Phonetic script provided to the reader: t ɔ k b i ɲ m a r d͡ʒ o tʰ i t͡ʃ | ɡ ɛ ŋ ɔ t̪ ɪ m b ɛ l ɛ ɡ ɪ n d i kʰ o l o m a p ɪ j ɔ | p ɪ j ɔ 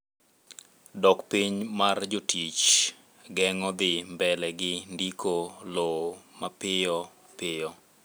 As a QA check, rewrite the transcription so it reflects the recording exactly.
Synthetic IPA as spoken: d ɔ k p i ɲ m a r d͡ʒ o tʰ i t͡ʃ | ɡ ɛ ŋ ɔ d̪ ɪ m b ɛ l ɛ ɡ ɪ n d i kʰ o l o m a p ɪ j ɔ | p ɪ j ɔ